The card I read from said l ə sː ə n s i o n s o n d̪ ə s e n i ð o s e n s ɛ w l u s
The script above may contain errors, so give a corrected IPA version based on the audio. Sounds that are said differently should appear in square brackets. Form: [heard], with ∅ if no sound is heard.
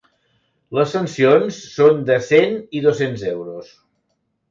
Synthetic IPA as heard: l ə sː ə n s i o n [sː] o n d̪ ə s e n i ð o s e n [z] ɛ w [ɾ] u s